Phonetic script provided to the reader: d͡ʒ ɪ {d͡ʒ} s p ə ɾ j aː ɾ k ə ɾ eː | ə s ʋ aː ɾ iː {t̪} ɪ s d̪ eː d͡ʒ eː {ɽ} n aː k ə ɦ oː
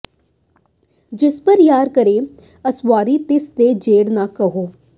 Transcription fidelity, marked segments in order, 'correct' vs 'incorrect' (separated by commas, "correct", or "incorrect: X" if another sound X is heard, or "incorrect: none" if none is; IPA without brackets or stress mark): incorrect: none, correct, correct